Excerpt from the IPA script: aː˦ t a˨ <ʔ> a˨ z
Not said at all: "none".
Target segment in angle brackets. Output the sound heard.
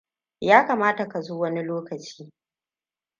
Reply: k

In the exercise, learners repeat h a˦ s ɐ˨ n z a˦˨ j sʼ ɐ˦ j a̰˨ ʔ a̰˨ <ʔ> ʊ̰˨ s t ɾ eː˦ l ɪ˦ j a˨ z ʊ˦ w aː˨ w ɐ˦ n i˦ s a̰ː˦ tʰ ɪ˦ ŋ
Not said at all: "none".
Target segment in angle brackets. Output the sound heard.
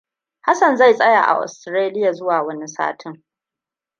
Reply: ʔ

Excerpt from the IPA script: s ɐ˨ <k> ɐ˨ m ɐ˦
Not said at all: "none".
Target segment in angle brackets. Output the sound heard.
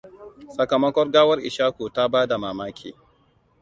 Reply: k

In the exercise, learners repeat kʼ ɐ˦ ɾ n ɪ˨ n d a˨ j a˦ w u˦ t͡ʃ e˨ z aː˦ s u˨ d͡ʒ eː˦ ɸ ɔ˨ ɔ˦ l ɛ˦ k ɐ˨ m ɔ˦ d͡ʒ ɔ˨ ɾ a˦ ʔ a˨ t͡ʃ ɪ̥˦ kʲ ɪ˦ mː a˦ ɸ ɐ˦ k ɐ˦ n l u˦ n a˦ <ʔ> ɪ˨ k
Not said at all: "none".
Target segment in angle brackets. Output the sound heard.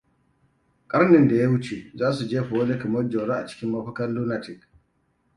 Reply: t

